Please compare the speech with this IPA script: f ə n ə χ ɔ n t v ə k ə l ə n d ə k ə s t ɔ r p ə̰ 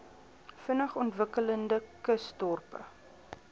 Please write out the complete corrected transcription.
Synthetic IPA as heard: f ə n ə χ ɔ n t v ə k ə l ə n d ə k ə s t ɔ r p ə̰